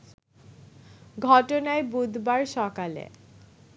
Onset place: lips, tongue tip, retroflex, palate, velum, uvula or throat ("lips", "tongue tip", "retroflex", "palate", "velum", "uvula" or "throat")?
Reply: velum